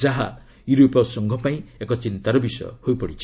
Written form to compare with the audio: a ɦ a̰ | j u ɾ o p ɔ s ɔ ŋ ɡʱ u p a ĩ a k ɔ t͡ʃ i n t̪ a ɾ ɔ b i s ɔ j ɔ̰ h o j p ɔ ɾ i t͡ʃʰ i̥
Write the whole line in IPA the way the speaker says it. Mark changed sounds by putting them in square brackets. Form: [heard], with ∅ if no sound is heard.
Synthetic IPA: a ɦ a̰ | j u ɾ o p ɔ s ɔ ŋ ɡʱ [ɔ] p a ĩ [e] k ɔ t͡ʃ i n t̪ a ɾ ɔ b i s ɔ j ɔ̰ h o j p ɔ [ɽ] i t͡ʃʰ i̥